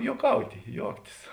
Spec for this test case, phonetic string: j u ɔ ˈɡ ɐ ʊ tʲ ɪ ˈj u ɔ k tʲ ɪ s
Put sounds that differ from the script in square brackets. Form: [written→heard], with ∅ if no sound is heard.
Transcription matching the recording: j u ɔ [ˈɡ→ˈk] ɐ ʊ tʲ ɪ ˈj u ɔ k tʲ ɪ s